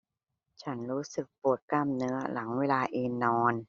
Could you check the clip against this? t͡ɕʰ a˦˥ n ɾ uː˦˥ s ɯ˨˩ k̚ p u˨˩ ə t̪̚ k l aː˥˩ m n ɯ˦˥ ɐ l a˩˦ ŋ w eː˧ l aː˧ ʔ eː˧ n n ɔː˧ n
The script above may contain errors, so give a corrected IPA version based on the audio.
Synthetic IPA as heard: t͡ɕʰ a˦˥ n ɾ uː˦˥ s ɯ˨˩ k̚ p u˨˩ ə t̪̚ k l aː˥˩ m n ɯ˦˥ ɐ l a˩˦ ŋ w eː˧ l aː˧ ʔ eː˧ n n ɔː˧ n